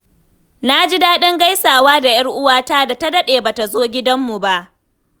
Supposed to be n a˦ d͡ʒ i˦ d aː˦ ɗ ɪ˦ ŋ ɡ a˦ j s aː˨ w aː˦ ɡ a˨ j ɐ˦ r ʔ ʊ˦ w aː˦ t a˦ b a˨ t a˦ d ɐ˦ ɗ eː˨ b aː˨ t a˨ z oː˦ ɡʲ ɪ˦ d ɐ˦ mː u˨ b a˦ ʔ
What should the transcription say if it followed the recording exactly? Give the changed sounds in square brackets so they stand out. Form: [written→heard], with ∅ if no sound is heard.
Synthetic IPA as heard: n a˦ d͡ʒ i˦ d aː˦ ɗ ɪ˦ ŋ ɡ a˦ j s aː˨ w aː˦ [ɡ→d] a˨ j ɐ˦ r ʔ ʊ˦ w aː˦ t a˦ [b→d] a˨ t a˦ d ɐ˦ ɗ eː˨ b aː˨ t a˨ z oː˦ ɡʲ ɪ˦ d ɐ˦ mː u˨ b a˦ ʔ